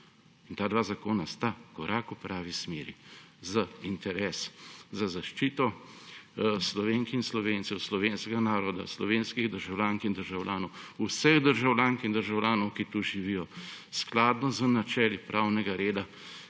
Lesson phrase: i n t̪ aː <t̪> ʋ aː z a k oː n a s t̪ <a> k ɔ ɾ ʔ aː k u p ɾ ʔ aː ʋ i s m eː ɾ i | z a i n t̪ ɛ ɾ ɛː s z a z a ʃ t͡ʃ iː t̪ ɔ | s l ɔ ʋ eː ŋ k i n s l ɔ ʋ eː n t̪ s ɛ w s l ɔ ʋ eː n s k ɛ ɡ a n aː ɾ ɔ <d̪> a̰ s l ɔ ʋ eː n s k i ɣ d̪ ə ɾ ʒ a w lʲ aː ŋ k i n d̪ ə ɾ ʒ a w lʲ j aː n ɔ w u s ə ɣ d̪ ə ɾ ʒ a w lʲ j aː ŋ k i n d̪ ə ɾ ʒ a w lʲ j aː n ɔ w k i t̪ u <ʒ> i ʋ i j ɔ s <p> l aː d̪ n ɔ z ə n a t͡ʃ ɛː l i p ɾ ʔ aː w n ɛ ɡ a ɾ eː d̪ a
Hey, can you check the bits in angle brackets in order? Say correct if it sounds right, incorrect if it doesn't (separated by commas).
incorrect, correct, correct, correct, incorrect